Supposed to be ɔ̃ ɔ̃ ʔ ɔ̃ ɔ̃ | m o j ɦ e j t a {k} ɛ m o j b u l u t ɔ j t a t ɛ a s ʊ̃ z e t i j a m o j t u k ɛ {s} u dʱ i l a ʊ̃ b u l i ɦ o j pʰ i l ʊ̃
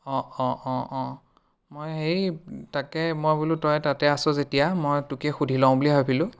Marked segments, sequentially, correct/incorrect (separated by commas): correct, incorrect